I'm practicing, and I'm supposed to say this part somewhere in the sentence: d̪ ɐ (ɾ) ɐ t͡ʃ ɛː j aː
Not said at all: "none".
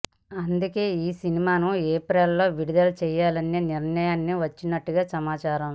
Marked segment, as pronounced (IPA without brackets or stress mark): l